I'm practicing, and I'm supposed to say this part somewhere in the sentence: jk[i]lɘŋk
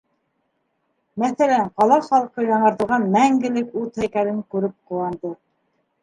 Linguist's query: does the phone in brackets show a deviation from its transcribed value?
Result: yes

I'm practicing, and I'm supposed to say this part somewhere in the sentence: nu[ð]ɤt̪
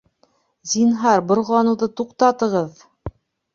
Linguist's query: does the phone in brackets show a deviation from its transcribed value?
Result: no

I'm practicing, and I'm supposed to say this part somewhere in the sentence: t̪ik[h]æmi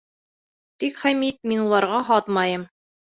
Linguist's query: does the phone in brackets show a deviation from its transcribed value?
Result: yes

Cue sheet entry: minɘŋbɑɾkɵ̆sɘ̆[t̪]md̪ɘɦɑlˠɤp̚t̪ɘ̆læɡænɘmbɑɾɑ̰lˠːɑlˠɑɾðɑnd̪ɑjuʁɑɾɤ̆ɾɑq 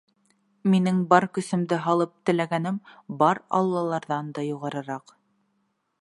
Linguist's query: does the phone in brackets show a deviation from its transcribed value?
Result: yes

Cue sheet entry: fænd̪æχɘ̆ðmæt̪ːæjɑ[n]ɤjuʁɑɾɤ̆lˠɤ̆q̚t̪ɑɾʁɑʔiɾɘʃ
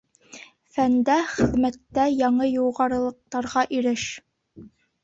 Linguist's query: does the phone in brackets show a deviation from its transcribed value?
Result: yes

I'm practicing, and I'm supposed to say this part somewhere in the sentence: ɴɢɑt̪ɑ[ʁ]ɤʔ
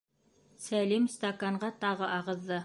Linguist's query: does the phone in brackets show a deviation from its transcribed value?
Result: no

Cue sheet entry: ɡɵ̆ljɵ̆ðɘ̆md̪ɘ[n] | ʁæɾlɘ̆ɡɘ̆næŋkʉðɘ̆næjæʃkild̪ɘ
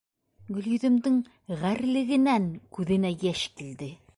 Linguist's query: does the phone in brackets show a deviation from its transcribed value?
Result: yes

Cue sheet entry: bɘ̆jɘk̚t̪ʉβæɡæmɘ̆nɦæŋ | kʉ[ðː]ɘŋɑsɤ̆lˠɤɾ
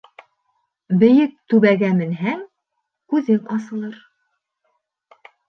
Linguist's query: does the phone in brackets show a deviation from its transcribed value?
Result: yes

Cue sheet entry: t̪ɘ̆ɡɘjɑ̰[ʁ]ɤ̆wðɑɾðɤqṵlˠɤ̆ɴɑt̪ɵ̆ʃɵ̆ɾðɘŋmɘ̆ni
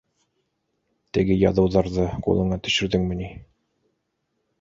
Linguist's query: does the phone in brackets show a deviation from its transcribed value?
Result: yes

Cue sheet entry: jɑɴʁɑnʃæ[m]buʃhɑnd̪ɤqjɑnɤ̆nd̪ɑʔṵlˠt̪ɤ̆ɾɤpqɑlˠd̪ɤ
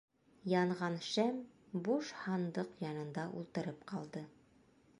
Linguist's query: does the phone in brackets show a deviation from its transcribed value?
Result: no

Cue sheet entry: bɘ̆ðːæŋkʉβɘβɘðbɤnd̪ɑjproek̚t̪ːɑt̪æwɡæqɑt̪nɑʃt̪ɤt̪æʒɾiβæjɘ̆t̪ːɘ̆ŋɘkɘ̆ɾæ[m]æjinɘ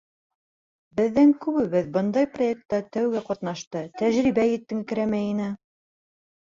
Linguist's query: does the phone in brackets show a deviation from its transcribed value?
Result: no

